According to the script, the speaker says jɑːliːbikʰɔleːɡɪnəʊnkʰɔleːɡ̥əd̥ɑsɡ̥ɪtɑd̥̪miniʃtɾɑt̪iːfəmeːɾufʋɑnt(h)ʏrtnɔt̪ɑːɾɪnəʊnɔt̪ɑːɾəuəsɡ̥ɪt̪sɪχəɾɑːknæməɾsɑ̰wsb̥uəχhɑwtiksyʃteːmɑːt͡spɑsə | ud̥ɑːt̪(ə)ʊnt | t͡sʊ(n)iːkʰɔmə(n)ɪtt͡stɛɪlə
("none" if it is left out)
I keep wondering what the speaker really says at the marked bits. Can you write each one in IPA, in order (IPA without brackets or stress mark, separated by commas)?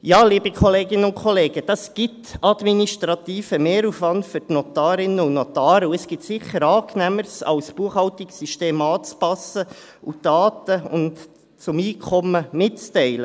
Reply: f, ə, m, m